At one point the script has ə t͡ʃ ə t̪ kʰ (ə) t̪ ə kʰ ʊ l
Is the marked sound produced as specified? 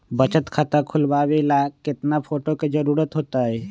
no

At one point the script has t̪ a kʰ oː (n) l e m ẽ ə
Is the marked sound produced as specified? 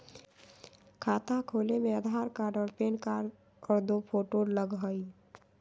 no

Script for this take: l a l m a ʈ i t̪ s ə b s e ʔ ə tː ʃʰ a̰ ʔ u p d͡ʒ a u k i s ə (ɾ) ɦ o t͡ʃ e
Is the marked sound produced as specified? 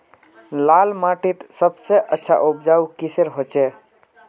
yes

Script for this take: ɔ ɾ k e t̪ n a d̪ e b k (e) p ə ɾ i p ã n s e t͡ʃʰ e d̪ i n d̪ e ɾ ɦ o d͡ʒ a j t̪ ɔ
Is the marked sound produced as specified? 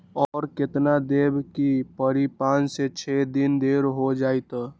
no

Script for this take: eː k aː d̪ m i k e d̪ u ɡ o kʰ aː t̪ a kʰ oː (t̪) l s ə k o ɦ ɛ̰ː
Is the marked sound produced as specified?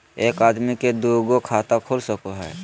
no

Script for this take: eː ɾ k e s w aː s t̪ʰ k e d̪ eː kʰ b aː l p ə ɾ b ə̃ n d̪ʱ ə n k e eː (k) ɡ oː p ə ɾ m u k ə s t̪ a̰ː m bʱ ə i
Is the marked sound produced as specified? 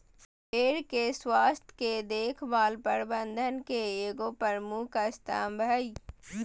no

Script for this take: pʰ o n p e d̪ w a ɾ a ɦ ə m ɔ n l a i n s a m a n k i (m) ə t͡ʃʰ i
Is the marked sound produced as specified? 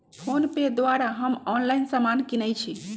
no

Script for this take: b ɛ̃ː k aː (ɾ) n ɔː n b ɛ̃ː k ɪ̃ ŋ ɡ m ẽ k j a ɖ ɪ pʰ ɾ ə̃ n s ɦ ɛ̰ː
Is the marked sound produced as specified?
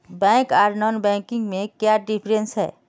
yes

